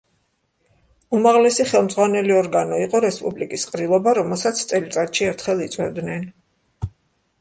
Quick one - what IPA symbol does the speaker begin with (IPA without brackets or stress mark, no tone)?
u